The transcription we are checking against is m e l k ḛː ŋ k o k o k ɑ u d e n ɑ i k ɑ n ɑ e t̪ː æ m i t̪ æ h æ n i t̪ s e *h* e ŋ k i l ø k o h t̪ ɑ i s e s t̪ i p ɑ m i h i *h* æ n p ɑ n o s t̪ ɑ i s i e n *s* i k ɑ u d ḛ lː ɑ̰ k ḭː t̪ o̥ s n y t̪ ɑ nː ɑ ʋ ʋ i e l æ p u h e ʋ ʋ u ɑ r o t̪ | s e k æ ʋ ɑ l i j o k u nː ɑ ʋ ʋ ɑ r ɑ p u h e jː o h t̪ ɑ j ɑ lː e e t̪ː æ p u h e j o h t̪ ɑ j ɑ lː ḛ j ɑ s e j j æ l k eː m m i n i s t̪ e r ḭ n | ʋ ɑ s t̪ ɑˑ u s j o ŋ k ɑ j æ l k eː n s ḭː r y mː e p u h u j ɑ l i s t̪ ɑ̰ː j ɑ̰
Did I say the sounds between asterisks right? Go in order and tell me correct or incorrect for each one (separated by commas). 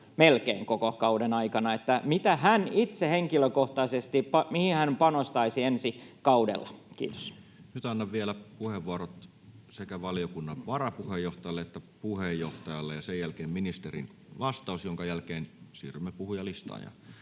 correct, correct, correct